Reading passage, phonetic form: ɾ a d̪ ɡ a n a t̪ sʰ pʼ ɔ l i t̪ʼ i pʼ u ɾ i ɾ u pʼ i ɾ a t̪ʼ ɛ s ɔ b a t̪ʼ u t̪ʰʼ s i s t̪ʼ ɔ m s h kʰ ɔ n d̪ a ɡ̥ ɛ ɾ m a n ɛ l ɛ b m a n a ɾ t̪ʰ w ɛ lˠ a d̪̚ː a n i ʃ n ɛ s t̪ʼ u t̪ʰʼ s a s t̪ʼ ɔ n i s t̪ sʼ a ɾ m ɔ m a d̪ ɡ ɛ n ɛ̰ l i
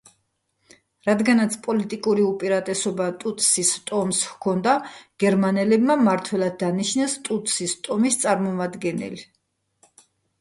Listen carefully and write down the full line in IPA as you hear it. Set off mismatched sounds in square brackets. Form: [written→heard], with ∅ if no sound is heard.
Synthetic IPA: ɾ a d̪ ɡ a n a t̪ sʰ pʼ ɔ l i t̪ʼ i [pʼ→kʼ] u ɾ i [ɾ→∅] u pʼ i ɾ a t̪ʼ ɛ s ɔ b a t̪ʼ u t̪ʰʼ s i s t̪ʼ ɔ m s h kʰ ɔ n d̪ a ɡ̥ ɛ ɾ m a n ɛ l ɛ b m a [n→m] a ɾ t̪ʰ w ɛ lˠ a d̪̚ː a n i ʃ n ɛ s t̪ʼ u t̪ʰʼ s [a→i] s t̪ʼ ɔ [n→m] i s t̪ sʼ a ɾ m ɔ m a d̪ ɡ ɛ n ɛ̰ l i